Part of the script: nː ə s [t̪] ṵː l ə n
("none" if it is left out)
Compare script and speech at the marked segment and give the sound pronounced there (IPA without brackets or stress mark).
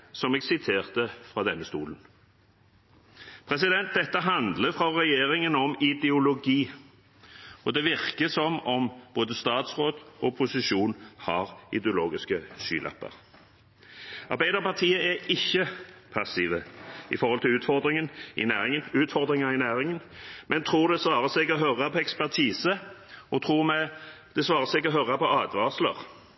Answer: t̪